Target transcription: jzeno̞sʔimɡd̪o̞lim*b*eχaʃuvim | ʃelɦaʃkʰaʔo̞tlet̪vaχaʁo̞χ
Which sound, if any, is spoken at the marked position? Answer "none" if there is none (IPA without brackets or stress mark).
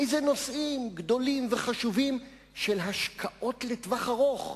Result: v